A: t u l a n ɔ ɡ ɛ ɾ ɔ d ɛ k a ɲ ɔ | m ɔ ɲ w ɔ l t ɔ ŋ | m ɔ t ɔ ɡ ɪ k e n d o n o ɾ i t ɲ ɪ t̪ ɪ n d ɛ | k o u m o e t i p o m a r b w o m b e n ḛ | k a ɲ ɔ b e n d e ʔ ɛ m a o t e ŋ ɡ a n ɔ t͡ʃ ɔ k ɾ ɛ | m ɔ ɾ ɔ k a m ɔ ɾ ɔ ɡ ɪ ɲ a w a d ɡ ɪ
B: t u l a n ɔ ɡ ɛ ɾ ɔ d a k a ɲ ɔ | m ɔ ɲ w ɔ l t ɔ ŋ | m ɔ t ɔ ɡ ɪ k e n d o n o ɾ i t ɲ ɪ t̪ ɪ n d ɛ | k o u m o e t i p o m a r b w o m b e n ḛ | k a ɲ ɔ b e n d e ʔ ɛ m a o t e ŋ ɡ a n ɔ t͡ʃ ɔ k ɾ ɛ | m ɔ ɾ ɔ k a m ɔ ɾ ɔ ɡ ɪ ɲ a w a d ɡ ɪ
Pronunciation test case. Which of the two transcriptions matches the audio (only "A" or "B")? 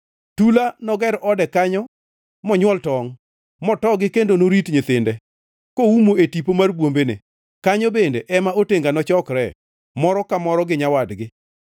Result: A